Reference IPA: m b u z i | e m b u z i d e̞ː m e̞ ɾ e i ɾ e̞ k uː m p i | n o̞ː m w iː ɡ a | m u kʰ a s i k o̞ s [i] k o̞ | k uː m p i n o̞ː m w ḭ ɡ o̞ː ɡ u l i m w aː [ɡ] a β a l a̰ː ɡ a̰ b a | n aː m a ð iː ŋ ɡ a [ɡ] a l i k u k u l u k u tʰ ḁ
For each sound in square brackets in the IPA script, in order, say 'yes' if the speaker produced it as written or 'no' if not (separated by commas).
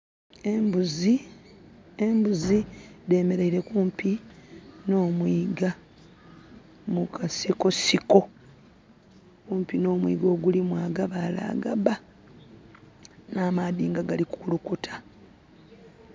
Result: yes, yes, yes